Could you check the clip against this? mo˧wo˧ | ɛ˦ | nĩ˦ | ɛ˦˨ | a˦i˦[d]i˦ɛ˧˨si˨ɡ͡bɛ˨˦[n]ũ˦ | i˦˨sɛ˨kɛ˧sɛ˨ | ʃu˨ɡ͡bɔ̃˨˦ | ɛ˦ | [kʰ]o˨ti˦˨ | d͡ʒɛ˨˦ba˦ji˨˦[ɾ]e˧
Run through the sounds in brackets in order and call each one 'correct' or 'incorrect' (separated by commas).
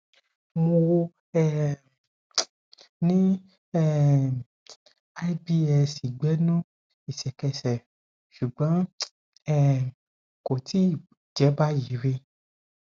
incorrect, correct, incorrect, correct